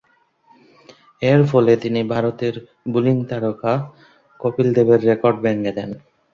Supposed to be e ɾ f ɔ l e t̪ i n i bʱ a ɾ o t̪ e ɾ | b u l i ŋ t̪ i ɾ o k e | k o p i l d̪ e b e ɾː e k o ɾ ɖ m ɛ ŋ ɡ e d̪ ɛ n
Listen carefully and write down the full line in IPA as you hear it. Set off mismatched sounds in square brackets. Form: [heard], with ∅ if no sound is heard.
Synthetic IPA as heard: e ɾ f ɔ l e t̪ i n i bʱ a ɾ o t̪ e ɾ | b u l i ŋ t̪ [a] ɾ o k [a] | k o p i l d̪ e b e ɾː e k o ɾ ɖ [b] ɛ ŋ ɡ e d̪ ɛ n